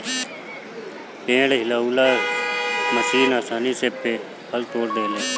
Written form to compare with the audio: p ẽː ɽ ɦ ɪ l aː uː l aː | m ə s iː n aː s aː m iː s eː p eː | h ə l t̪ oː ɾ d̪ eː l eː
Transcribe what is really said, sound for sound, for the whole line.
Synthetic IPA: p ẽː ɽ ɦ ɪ l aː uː l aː | m ə s iː n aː s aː n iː s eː p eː | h ə l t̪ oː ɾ d̪ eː l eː